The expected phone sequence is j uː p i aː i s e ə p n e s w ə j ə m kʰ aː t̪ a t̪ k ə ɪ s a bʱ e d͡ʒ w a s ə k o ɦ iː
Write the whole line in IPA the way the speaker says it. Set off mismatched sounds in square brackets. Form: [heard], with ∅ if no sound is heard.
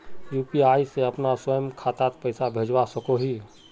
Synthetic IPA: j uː p i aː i s e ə p n [a] s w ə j ə m kʰ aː t̪ a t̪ [p] ə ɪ s a bʱ e d͡ʒ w a s ə k o ɦ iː